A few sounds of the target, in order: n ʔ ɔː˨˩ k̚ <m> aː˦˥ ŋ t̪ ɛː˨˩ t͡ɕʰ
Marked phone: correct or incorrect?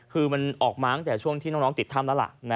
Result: correct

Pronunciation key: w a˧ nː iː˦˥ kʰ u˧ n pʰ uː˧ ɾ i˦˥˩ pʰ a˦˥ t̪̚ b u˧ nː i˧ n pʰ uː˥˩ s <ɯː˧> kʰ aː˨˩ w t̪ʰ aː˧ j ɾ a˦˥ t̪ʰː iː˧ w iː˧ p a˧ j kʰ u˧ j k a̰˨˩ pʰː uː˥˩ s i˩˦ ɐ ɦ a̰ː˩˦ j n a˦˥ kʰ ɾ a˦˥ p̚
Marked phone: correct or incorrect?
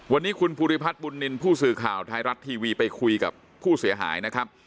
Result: incorrect: ɯː˨˩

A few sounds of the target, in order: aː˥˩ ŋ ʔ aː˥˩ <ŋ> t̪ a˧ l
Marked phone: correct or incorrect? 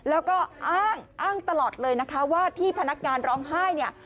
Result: correct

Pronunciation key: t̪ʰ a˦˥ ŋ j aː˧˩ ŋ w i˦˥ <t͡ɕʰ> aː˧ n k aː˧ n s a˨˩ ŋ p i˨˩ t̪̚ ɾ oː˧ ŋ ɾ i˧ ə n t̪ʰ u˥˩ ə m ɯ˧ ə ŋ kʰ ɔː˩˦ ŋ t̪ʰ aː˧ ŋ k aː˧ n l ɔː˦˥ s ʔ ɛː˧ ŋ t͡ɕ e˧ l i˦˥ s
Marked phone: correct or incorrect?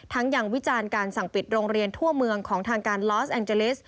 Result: incorrect: t͡ɕ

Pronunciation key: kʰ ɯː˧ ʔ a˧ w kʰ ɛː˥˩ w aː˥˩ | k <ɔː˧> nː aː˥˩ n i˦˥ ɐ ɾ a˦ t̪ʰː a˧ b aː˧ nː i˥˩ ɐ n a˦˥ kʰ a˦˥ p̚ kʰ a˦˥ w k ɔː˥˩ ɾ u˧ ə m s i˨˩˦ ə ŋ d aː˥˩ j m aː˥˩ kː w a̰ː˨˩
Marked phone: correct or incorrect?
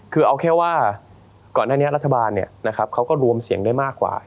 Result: incorrect: ɔː˨˩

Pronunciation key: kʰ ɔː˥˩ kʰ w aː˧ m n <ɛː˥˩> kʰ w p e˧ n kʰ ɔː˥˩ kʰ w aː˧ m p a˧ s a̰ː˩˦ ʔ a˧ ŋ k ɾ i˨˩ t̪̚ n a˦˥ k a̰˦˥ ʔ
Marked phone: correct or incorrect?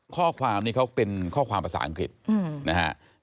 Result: incorrect: iː˥˩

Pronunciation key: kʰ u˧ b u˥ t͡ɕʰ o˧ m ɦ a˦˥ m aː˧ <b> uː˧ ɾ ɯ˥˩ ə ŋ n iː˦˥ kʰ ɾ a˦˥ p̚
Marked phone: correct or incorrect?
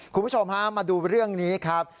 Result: incorrect: d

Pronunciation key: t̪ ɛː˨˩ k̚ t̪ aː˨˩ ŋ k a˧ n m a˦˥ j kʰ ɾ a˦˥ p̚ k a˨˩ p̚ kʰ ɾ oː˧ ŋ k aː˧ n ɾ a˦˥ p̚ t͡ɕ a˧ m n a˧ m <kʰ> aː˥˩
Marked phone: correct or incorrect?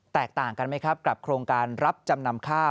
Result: correct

